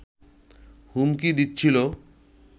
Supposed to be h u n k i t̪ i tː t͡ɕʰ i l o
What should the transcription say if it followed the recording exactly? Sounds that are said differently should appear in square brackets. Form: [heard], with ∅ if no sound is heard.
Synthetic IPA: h u [m] k i [d̪] i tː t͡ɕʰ i l o